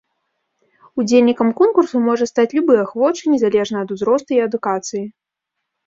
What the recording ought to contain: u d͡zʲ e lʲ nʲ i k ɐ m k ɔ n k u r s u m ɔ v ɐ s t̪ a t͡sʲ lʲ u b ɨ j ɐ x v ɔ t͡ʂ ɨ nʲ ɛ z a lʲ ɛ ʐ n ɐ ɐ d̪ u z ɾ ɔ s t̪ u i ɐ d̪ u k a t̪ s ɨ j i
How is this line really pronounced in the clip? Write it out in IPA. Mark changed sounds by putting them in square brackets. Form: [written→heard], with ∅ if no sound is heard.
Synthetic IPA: u d͡zʲ e lʲ nʲ i k ɐ m k ɔ n k u r s u m ɔ [v→ʐ] ɐ s t̪ a t͡sʲ lʲ u b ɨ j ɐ x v ɔ t͡ʂ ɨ nʲ ɛ z a lʲ ɛ ʐ n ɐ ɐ d̪ u z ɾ ɔ s t̪ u i ɐ d̪ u k a t̪ s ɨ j i